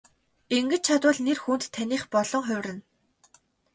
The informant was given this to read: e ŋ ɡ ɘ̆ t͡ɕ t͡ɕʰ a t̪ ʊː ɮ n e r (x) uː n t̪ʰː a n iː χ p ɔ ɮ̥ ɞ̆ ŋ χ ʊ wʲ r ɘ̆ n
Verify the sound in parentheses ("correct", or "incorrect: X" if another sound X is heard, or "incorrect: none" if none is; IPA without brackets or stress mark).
correct